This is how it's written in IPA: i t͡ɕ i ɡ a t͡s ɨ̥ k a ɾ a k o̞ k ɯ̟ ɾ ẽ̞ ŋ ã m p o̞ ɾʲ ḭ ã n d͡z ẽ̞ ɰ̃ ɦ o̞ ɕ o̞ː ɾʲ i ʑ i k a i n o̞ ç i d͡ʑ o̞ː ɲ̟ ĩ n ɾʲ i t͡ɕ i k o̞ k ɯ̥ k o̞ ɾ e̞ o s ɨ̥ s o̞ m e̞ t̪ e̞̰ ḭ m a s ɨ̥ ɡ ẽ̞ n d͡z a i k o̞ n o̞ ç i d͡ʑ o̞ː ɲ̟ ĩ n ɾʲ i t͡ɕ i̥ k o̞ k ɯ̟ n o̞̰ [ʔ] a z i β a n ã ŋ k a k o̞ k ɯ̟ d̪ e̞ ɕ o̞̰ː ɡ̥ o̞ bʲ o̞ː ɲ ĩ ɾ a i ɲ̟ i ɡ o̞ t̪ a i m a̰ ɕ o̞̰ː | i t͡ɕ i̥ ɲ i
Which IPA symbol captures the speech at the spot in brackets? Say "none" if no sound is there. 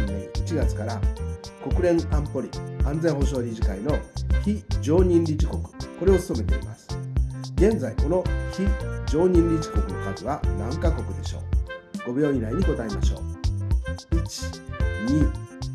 k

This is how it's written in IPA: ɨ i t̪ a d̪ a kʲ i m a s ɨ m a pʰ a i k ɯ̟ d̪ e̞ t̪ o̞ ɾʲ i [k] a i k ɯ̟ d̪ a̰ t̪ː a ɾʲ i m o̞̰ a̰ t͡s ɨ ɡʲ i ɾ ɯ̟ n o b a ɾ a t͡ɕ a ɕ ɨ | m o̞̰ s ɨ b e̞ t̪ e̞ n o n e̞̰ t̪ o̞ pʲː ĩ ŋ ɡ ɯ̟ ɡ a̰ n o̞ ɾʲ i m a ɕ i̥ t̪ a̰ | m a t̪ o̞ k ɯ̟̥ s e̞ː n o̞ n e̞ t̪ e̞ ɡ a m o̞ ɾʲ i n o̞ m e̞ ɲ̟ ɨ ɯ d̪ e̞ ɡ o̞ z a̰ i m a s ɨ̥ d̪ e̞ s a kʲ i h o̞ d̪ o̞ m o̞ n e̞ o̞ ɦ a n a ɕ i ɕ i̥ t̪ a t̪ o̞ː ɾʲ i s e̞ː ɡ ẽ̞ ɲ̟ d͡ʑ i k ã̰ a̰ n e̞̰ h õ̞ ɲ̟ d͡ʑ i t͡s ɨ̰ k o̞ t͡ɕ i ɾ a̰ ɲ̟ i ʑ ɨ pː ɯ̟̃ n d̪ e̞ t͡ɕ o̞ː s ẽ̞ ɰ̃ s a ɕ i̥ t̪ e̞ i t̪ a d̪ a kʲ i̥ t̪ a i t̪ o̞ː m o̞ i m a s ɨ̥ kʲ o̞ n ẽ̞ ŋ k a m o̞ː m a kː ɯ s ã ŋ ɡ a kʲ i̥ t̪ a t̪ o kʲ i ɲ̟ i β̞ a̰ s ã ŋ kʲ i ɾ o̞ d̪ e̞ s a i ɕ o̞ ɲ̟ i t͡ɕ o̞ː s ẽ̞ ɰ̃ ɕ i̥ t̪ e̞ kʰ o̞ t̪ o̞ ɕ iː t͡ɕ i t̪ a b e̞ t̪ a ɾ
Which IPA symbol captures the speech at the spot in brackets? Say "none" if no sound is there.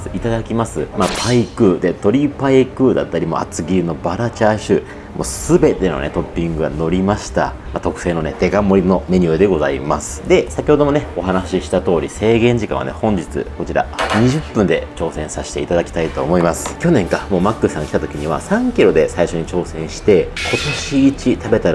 p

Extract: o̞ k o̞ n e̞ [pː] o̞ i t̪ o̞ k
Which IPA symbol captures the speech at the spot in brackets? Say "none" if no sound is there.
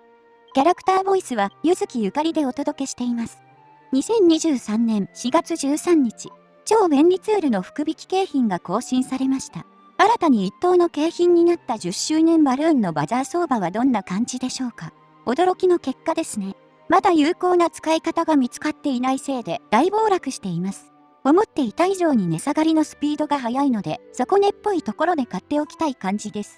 pː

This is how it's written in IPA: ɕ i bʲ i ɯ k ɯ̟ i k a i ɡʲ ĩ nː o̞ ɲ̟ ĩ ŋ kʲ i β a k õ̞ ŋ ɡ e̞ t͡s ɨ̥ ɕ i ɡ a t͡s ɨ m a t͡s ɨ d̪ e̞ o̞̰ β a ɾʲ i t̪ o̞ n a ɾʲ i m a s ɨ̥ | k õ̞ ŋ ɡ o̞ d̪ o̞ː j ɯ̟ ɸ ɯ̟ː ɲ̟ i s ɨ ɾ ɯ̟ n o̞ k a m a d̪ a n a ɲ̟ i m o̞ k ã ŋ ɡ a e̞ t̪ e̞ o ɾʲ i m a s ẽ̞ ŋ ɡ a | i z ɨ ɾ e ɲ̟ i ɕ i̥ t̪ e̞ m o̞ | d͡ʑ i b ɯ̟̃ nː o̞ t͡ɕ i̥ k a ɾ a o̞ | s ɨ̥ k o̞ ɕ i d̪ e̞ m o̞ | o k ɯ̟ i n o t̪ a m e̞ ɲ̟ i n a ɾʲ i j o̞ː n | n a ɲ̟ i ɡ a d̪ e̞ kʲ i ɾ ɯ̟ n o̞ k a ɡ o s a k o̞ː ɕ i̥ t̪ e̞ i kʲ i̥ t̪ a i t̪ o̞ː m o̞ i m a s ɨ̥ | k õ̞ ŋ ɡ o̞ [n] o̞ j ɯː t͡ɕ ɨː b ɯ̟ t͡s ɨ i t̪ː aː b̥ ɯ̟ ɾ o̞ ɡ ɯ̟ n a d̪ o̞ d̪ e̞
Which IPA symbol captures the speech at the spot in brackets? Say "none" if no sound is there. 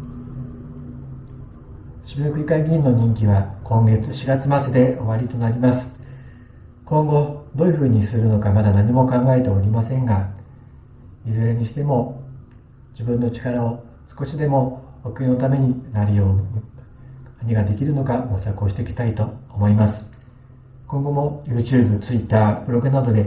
m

